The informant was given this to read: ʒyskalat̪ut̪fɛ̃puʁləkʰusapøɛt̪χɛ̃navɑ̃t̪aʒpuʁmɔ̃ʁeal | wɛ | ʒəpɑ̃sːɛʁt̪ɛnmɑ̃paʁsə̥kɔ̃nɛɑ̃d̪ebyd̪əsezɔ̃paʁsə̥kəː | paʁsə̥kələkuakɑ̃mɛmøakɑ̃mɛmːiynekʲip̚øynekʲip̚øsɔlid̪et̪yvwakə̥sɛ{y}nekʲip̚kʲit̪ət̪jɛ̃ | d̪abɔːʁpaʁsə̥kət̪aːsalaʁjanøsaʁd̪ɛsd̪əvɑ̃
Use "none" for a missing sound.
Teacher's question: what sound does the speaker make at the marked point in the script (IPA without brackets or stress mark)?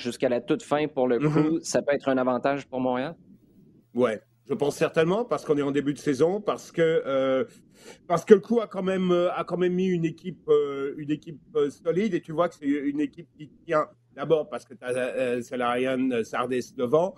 y